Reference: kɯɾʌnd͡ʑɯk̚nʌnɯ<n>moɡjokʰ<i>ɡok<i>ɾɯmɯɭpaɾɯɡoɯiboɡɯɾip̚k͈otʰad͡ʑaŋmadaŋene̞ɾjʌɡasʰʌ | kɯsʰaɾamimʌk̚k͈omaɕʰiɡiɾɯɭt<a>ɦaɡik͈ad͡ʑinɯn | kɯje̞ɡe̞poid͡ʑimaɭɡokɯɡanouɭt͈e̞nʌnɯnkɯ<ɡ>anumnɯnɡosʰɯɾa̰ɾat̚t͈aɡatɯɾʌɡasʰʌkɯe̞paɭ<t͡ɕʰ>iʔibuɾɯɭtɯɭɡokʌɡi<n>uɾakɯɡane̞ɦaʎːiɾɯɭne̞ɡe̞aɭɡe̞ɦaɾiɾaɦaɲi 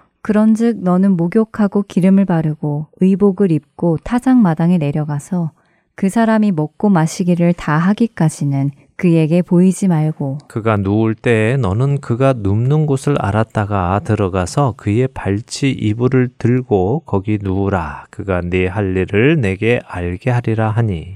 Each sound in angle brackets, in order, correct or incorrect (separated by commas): correct, incorrect, correct, correct, correct, correct, correct